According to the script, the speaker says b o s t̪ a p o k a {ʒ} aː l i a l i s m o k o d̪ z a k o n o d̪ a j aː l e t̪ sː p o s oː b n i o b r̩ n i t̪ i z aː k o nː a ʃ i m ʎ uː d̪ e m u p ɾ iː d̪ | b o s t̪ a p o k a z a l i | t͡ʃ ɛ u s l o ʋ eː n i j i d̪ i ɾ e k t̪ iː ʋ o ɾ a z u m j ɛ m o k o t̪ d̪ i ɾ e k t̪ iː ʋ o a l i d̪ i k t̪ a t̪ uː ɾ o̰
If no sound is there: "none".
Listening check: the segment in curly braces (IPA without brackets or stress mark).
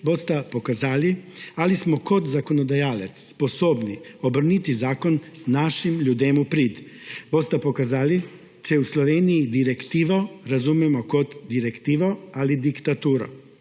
z